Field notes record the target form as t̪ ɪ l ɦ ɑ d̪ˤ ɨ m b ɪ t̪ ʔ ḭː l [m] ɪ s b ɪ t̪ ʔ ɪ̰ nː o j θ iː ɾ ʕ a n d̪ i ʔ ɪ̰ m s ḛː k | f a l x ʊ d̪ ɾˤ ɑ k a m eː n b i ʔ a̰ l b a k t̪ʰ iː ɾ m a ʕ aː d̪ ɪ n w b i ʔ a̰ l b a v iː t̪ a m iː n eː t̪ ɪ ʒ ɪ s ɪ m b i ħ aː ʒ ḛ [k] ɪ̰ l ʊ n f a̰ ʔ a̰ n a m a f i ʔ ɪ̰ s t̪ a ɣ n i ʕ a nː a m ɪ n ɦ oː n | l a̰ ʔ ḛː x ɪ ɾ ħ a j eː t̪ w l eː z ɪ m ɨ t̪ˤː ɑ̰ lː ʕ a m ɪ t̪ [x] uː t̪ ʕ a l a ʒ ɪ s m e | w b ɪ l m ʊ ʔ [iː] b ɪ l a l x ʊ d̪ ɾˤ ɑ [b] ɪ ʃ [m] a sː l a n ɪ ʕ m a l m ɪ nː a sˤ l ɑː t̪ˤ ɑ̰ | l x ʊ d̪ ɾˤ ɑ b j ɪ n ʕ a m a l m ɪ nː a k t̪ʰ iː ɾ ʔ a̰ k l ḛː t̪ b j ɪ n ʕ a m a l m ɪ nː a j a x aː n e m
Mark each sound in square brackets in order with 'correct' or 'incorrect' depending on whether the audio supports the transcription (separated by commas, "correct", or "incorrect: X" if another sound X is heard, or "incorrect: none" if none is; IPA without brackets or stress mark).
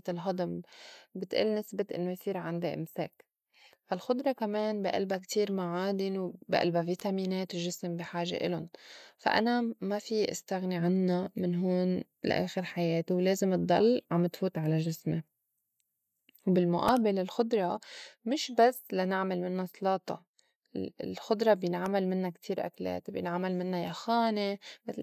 incorrect: n, incorrect: ʔ, incorrect: f, incorrect: aː, incorrect: m, incorrect: b